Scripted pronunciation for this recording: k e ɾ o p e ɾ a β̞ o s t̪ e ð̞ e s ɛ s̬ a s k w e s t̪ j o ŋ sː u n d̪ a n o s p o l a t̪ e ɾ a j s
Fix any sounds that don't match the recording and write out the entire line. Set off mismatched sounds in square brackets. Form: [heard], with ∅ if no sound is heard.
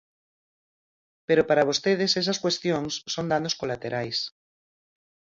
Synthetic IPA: [p] e ɾ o p [a] ɾ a β̞ o s t̪ e ð̞ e s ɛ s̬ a s k w e s t̪ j o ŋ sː [o] n d̪ a n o s [k] o l a t̪ e ɾ a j s